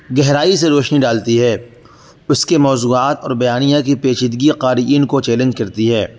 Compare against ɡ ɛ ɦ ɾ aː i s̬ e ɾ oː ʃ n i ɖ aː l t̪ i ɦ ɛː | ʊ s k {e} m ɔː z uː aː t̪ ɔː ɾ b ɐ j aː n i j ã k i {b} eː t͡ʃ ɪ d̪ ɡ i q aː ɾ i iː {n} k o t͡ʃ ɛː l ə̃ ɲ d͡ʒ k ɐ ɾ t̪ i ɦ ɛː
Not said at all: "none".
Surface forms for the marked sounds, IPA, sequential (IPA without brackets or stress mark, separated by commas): e, p, n